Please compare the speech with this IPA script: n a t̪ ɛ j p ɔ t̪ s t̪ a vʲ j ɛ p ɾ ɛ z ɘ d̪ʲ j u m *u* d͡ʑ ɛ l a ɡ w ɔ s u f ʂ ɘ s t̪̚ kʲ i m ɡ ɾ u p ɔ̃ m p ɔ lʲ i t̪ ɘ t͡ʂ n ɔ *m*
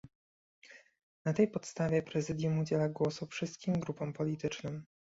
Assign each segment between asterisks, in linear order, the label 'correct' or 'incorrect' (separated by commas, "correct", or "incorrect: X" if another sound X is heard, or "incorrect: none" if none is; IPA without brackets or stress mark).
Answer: correct, correct